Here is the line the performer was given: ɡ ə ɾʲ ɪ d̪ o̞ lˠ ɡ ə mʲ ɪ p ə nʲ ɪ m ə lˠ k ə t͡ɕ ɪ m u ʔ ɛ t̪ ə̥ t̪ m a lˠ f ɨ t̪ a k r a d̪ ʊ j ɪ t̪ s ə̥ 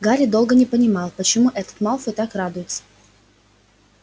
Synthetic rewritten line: ɡ a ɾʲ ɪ d̪ o̞ lˠ ɡ ə nʲ ɪ p ə nʲ ɪ m ɑ lˠ p ə t͡ɕ ɪ m u ʔ ɛ t̪ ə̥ t̪ m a lˠ f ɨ t̪ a k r a d̪ ʊ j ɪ t̪ s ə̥